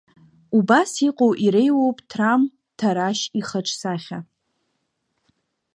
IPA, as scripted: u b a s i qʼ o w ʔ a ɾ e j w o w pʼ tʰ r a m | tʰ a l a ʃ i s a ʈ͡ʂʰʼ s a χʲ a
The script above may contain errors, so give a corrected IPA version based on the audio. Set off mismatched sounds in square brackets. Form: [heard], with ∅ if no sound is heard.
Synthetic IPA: u b a s i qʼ o w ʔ [i] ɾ e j w o w pʼ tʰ r a m | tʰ a [ɾ] a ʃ i [χ] a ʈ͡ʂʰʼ s a χʲ a